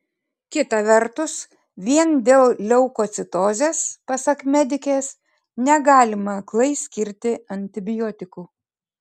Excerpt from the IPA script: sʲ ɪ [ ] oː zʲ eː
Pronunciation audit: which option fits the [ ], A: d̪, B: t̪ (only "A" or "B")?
B